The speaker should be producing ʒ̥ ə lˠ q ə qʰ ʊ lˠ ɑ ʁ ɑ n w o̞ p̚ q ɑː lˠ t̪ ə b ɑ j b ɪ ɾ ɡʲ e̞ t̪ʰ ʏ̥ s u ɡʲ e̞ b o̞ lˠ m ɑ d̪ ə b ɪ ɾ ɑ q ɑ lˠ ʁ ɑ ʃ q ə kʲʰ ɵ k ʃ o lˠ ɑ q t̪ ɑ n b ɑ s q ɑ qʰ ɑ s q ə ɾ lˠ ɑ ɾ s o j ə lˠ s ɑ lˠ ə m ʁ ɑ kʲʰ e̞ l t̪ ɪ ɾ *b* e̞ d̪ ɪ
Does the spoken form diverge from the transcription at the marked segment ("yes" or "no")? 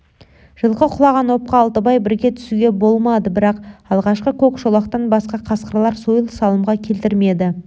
yes